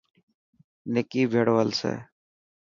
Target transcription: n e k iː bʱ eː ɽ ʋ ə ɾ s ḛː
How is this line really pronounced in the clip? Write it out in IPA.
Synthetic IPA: n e k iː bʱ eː ɽ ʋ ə l s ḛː